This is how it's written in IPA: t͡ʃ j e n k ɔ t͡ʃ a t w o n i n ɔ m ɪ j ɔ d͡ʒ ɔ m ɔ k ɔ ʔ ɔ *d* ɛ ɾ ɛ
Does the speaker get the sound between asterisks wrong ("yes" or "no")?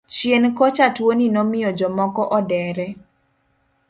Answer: no